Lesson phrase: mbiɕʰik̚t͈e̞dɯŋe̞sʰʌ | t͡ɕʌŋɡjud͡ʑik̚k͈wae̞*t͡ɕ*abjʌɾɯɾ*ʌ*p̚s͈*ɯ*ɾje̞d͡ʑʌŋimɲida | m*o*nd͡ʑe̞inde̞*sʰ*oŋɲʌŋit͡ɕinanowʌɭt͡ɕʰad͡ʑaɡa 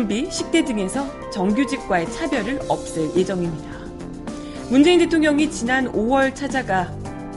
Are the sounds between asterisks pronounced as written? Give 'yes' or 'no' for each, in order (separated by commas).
no, yes, yes, no, no